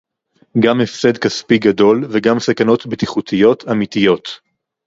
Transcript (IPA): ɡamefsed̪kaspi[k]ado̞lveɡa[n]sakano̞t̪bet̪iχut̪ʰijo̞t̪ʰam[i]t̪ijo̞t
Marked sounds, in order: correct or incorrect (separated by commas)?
incorrect, incorrect, correct